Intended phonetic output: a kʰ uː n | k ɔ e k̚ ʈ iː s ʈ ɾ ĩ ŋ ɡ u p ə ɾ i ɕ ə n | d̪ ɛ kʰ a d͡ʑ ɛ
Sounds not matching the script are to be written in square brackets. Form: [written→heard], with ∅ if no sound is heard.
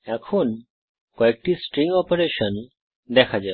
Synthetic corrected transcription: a kʰ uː n | k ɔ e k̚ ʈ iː s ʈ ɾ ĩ ŋ ɡ [u→ɔ] p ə ɾ [i→e] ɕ ə n | d̪ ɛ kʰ a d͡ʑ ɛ